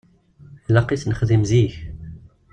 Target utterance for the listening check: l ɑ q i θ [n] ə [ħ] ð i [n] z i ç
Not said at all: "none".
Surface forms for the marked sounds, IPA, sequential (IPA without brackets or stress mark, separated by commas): n, χ, m